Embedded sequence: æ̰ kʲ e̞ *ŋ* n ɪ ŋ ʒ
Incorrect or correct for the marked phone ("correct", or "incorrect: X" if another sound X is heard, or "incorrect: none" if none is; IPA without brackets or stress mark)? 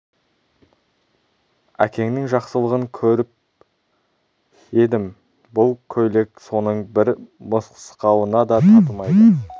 correct